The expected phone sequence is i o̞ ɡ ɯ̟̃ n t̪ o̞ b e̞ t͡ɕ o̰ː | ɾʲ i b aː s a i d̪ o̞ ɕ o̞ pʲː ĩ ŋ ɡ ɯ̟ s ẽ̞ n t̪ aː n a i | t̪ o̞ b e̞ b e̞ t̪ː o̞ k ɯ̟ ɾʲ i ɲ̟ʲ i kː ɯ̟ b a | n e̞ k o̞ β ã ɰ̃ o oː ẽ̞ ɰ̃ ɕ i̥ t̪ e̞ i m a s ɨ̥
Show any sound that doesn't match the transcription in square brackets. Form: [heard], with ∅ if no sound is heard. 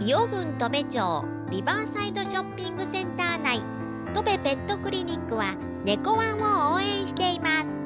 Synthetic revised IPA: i o̞ ɡ ɯ̟̃ n t̪ o̞ b e̞ t͡ɕ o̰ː | ɾʲ i b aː s a i d̪ o̞ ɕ o̞ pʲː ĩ ŋ ɡ ɯ̟ s ẽ̞ n t̪ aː n a i | t̪ o̞ b e̞ b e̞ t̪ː o̞ k ɯ̟ ɾʲ i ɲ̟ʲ i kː ɯ̟ [β] a | n e̞ k o̞ β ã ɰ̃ o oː ẽ̞ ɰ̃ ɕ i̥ t̪ e̞ i m a s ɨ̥

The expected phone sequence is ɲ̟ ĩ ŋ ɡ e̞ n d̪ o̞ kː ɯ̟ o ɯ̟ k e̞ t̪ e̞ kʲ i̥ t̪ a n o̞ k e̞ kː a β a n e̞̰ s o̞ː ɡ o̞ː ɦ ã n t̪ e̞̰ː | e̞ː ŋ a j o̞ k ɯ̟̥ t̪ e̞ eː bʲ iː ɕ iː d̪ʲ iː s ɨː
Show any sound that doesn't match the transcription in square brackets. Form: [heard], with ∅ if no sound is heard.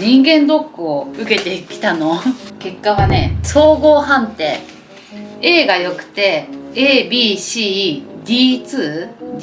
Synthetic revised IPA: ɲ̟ ĩ ŋ ɡ [ẽ̞] n d̪ o̞ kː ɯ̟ o ɯ̟ k e̞ t̪ e̞ kʲ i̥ t̪ a n o̞ k e̞ kː a β a n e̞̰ s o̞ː ɡ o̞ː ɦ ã n t̪ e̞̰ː | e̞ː [ɡ] a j o̞ k ɯ̟̥ t̪ e̞ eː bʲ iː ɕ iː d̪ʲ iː [t͡s] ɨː

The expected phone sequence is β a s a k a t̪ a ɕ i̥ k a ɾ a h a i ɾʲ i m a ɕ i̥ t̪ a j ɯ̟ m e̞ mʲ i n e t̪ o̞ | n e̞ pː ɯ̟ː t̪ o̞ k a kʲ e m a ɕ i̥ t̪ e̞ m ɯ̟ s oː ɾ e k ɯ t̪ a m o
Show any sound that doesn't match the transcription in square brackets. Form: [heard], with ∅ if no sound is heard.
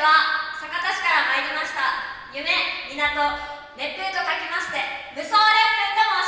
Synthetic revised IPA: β a s a k a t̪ a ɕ i̥ k a ɾ a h a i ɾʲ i m a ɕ i̥ t̪ a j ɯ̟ m e̞ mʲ i n [a] t̪ o̞ | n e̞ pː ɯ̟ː t̪ o̞ k a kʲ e m a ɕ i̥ t̪ e̞ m ɯ̟ s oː ɾ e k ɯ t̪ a m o

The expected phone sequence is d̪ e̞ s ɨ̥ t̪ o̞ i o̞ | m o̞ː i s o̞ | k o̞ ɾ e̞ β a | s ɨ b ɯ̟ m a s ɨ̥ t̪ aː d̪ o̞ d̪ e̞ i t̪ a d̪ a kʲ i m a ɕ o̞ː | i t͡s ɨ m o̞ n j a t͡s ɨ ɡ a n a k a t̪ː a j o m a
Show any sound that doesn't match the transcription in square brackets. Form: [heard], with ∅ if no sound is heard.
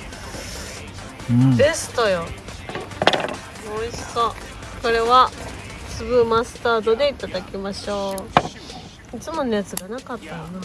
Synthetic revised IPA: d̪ e̞ s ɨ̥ t̪ o̞ [j] o̞ | m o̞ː i s o̞ | k o̞ ɾ e̞ β a | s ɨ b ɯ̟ m a s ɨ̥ t̪ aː d̪ o̞ d̪ e̞ i t̪ a d̪ a kʲ i m a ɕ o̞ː | i t͡s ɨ m o̞ n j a t͡s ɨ ɡ a n a k a t̪ː a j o [n] a

